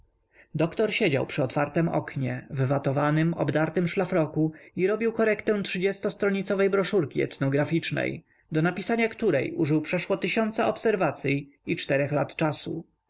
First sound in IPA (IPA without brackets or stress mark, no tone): d̪